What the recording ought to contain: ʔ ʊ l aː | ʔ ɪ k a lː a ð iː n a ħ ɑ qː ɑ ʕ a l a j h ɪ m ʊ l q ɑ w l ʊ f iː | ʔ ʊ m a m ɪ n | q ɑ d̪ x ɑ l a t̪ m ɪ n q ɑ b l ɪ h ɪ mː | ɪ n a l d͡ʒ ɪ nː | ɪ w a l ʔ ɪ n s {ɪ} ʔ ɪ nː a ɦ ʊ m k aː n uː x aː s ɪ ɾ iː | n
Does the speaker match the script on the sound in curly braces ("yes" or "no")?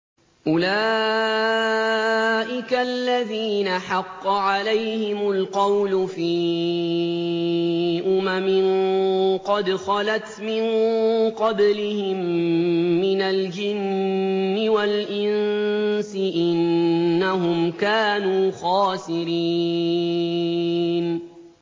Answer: yes